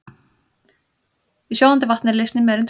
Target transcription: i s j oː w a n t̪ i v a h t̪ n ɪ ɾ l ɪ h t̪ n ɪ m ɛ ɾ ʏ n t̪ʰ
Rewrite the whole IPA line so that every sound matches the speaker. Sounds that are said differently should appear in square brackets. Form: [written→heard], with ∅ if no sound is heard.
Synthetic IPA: i s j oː w a n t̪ [i→ɪ] v a h t̪ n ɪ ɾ l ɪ [h→s] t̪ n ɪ m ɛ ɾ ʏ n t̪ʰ